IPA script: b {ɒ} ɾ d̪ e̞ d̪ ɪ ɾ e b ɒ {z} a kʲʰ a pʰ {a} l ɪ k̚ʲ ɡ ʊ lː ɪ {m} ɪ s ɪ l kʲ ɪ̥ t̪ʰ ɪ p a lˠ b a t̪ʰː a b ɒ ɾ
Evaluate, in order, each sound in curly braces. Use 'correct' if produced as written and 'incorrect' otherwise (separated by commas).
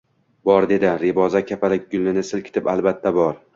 correct, correct, correct, incorrect